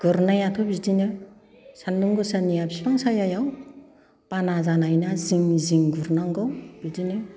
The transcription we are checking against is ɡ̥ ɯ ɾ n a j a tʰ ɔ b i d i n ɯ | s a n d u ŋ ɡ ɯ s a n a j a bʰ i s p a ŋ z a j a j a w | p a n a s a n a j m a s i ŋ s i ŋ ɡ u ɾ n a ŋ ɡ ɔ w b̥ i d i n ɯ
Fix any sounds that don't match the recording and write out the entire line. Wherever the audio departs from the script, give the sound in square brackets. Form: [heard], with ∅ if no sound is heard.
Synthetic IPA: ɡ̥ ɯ ɾ n a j a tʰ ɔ b i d i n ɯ | s a n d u ŋ ɡ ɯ s a n [i] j a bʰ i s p a ŋ [s] a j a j a w | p a n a [z] a n a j [n] a [z] i ŋ [z] i ŋ ɡ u ɾ n a ŋ ɡ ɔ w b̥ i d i n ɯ

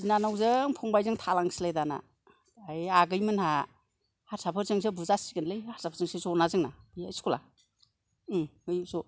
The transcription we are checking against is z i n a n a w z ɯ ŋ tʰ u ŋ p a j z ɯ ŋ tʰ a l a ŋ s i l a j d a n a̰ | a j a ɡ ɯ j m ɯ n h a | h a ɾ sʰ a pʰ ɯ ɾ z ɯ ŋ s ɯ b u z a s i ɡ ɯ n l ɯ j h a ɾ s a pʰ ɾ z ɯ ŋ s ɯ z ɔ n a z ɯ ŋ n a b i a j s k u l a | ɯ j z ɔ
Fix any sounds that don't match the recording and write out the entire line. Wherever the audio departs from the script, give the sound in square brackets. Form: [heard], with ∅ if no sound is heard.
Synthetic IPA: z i n a n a w z ɯ ŋ [pʰ] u ŋ [b] a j z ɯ ŋ tʰ a l a ŋ s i l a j d a n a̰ | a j a ɡ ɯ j m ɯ n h a | h a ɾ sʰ a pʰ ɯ ɾ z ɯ ŋ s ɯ b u z a s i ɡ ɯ n l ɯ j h a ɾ s a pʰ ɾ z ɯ ŋ s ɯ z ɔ n a z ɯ ŋ n a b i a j s k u l a | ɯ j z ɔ

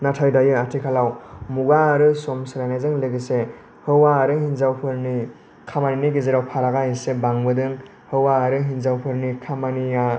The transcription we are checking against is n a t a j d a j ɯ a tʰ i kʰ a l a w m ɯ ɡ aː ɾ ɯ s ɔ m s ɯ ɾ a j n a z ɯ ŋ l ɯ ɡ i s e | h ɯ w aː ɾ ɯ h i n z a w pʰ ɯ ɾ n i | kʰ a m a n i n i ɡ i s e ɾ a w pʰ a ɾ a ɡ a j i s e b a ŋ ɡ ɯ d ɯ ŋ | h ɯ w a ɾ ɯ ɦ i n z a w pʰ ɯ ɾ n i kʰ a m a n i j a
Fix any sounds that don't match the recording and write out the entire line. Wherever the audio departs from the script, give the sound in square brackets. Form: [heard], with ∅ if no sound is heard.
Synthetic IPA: n a [tʰ] a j d a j ɯ a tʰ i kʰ a l a w m [u] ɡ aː ɾ ɯ s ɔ m s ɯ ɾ a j n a z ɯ ŋ l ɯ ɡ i s e | h ɯ w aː ɾ ɯ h i n z a w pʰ ɯ ɾ n i | kʰ a m a n i n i ɡ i [z] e ɾ a w pʰ a ɾ a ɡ a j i s e b a ŋ [b] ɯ d ɯ ŋ | h ɯ w a ɾ ɯ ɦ i n z a w pʰ ɯ ɾ n i kʰ a m a n i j a

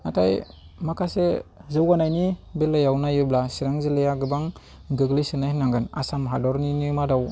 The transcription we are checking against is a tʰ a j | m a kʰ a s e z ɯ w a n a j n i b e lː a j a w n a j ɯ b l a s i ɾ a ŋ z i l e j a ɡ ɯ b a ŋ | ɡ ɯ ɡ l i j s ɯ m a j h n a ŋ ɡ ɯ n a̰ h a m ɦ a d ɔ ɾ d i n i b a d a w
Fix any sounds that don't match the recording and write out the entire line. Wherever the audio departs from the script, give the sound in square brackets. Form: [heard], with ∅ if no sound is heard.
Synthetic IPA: a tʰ a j | m a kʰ a s e z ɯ w a n a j n i b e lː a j a w n a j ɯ b l a s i ɾ a ŋ z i l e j a ɡ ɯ b a ŋ | ɡ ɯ ɡ l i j s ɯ [n] a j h n a ŋ ɡ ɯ n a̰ [s] a m ɦ a d ɔ ɾ [n] i n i [m] a d a w

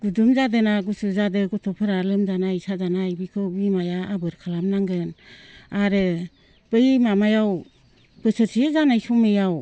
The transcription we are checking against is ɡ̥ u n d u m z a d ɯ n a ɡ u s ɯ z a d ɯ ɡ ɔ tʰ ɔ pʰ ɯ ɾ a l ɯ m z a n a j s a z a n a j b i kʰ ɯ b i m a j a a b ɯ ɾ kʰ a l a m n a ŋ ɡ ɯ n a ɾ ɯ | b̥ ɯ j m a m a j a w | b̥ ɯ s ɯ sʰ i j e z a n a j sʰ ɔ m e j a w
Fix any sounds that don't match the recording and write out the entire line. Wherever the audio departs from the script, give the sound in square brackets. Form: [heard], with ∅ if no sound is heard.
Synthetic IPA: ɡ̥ u [∅] d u m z a d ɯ n a ɡ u s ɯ z a d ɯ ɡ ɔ tʰ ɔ pʰ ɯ ɾ a l ɯ m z a n a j s a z a n a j b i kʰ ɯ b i m a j a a b ɯ ɾ kʰ a l a m n a ŋ ɡ ɯ n a ɾ ɯ | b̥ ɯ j m a m a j a w | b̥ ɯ s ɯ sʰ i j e z a n a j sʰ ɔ m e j a w

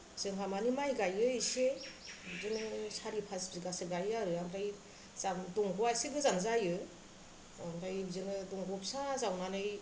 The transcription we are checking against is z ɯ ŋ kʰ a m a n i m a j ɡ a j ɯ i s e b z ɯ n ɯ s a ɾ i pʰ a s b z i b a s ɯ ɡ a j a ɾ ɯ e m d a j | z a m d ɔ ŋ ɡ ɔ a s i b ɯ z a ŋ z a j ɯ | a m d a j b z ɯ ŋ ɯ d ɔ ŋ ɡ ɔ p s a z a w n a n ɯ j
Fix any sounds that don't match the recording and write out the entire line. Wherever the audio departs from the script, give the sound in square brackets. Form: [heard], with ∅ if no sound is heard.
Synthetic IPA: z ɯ ŋ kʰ a m a n i m a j ɡ a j ɯ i s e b z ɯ n ɯ s a ɾ i pʰ a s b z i [ɡ] a s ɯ ɡ a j a ɾ ɯ [a] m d a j | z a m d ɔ ŋ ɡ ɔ a s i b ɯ z a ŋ z a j ɯ | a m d a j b z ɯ [n] ɯ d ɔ ŋ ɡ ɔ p s a z a w n a n ɯ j

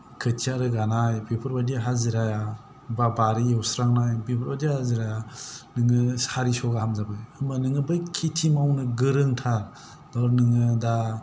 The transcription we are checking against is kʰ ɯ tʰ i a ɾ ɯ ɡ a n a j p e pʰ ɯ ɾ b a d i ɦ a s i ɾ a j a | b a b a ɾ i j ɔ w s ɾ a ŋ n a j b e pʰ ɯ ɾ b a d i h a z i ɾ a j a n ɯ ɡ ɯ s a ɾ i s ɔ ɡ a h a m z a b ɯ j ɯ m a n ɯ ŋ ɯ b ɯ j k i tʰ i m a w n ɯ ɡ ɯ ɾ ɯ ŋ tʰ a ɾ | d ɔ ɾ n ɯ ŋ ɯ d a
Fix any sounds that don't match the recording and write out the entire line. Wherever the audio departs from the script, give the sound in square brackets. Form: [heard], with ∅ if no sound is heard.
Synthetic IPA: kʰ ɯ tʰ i a ɾ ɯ ɡ a n a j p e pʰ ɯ ɾ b a d i ɦ a [z] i ɾ a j a | b a b a ɾ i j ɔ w s ɾ a ŋ n a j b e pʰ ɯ ɾ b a d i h a z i ɾ a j a n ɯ [ŋ] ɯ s a ɾ i s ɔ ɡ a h a m z a b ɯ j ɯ m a n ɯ ŋ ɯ b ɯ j [kʰ] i tʰ i m a w n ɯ ɡ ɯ ɾ ɯ ŋ tʰ a ɾ | d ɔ ɾ n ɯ ŋ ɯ d a

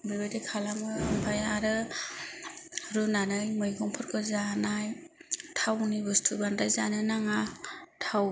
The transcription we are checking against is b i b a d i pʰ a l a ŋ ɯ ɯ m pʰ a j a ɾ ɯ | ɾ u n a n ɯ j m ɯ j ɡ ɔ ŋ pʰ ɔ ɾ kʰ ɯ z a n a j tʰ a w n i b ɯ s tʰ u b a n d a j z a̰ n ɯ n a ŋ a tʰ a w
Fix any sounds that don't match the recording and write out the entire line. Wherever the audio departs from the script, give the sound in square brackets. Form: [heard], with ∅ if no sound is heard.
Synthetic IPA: b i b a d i [kʰ] a l a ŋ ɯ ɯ m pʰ a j a ɾ ɯ | ɾ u n a n ɯ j m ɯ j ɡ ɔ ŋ pʰ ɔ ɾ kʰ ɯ z a n a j tʰ a w n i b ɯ s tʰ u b a n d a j z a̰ n ɯ n a ŋ a tʰ a w

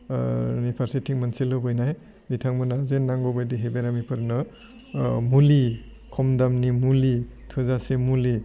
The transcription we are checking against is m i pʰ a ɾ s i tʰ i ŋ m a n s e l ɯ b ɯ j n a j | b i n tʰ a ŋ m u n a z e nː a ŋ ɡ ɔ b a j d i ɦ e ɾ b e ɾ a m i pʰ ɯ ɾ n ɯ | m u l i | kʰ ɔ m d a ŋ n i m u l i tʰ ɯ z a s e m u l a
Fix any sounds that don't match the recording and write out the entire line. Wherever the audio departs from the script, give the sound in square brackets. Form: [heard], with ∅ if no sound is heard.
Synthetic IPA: [n] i pʰ a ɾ s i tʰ i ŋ m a n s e l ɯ b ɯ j n a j | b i [∅] tʰ a ŋ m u n a z e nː a ŋ ɡ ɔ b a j d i ɦ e [∅] b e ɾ a m i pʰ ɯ ɾ n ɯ | m u l i | kʰ ɔ m d a [m] n i m u l i tʰ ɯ z a s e m u l [i]

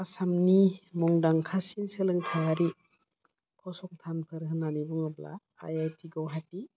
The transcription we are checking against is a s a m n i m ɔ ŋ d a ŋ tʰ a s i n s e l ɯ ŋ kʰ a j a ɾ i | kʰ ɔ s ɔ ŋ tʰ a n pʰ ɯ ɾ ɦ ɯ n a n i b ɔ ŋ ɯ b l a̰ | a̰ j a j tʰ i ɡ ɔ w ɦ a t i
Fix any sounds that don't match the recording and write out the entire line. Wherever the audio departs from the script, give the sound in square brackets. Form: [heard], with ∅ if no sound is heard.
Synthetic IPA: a s a m n i m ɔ ŋ d a ŋ [kʰ] a s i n s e l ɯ ŋ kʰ a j a ɾ i | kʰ ɔ s ɔ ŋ tʰ a n pʰ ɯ ɾ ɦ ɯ n a n i b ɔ ŋ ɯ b l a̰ | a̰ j a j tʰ i ɡ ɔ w ɦ a t i

